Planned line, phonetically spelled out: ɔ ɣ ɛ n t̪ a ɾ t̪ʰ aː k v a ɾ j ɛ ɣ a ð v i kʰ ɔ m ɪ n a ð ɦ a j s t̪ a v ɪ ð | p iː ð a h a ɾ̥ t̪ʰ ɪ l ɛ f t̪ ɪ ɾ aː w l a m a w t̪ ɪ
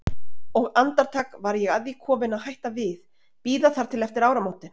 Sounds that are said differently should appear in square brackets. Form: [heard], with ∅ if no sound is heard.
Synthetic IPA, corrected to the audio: ɔ ɣ [a] n t̪ a ɾ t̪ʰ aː k v a ɾ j ɛ ɣ a ð v i kʰ [ɔː] m ɪ n a ð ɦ a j [h] t̪ a v ɪ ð | p iː ð a [θ] a ɾ̥ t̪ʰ ɪ l ɛ f t̪ ɪ ɾ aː w [ɾ] a m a w t̪ ɪ

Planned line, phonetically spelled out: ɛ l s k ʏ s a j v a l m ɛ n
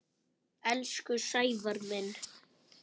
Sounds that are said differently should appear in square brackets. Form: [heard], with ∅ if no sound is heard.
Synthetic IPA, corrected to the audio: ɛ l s k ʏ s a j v a [ɾ] m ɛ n

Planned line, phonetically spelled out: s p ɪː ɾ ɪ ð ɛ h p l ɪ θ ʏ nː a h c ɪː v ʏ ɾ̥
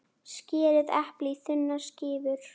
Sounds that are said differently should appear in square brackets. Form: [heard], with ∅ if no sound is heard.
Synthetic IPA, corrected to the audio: s [c] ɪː ɾ ɪ ð ɛ h p l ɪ θ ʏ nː a [s] c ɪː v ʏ ɾ̥

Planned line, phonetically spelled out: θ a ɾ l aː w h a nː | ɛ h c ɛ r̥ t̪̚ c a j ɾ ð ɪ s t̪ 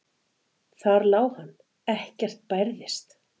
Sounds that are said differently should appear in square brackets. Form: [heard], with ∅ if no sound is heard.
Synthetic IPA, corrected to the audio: θ a ɾ l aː w h a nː | ɛ h c ɛ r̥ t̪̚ [p] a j ɾ ð ɪ s t̪

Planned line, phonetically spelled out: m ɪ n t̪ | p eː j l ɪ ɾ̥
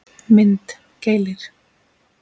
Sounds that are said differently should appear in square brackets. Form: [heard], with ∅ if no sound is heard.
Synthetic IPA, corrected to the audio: m ɪ n t̪ | [c] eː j l ɪ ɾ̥

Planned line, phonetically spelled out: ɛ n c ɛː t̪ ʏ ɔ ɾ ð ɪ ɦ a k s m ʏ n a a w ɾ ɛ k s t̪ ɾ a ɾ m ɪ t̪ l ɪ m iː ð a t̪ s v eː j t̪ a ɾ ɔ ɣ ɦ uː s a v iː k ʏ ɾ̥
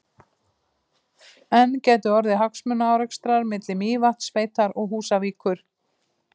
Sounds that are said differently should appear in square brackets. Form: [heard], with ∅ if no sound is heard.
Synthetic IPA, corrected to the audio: ɛ n c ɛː t̪ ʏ ɔ ɾ ð ɪ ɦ a k s m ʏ n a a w ɾ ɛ k s t̪ ɾ a ɾ m ɪ t̪ l ɪ m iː [v] a t̪ s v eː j t̪ a ɾ ɔ ɣ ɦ uː s a v iː k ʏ ɾ̥

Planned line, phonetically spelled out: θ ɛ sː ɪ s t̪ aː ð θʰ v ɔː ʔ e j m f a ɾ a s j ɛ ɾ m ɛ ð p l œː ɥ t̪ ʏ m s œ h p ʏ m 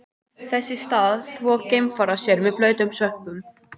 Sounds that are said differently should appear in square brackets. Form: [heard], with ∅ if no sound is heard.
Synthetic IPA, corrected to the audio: θ ɛ sː ɪ s t̪ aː ð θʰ v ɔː [c] e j m f a ɾ a s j ɛ ɾ m ɛ ð p l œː ɥ t̪ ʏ m s œ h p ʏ m

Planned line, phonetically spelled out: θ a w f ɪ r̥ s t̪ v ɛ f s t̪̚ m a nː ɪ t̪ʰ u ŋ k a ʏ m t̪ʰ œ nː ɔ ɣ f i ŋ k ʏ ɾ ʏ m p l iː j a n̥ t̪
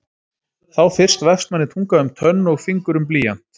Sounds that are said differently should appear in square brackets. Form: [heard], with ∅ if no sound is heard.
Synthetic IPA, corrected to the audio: θ a w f ɪ r̥ s t̪ v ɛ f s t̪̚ m a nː ɪ t̪ʰ u ŋ k a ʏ m t̪ʰ œ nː ɔ ɣ f i ŋ k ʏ ɾ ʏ m p l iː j a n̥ t̪

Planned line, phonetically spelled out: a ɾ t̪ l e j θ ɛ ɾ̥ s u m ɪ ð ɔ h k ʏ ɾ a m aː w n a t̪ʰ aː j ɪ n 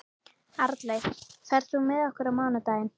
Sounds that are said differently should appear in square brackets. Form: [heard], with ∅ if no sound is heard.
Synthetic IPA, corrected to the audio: a ɾ t̪ l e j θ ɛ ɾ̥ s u m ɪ ð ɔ h k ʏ ɾ a m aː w n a [t̪] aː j ɪ n

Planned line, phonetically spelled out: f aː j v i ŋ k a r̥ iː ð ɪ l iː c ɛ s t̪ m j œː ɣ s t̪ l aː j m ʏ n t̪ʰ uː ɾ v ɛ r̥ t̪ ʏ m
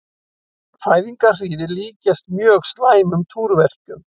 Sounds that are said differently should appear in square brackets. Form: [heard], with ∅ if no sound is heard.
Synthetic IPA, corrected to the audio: f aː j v i ŋ k a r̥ iː ð ɪ l iː c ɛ s t̪ m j œː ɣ s t̪ l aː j m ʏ [m] t̪ʰ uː ɾ v ɛ r̥ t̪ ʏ m

